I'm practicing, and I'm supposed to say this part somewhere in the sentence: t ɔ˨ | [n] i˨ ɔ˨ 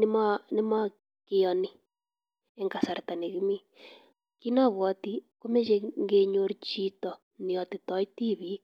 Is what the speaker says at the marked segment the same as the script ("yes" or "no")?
yes